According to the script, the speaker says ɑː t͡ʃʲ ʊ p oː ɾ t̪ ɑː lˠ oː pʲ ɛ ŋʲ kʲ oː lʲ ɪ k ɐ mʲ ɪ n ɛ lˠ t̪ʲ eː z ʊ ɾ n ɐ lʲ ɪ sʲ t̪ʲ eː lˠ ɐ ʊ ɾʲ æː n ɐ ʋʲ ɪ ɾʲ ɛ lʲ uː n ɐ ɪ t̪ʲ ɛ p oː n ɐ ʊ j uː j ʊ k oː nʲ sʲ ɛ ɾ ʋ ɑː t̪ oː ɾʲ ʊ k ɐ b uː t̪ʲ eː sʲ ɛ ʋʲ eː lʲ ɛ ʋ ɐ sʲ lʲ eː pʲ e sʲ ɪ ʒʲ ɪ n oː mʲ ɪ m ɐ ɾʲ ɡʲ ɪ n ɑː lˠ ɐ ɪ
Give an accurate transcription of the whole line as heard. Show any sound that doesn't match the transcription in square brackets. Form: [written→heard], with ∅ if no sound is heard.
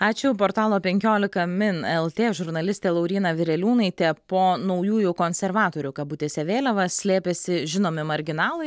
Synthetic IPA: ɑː t͡ʃʲ ʊ p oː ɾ t̪ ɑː lˠ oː pʲ ɛ ŋʲ kʲ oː lʲ ɪ k ɐ mʲ ɪ n ɛ lˠ t̪ʲ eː [z→ʒ] ʊ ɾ n ɐ lʲ ɪ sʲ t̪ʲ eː lˠ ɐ ʊ ɾʲ [æː→iː] n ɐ ʋʲ ɪ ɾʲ ɛ lʲ uː n ɐ ɪ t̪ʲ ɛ p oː n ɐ ʊ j uː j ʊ k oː nʲ sʲ ɛ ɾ ʋ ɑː t̪ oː ɾʲ ʊ k ɐ b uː t̪ʲ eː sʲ ɛ ʋʲ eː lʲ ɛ ʋ ɐ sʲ lʲ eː pʲ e sʲ ɪ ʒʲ ɪ n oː mʲ ɪ m ɐ ɾʲ ɡʲ ɪ n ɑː lˠ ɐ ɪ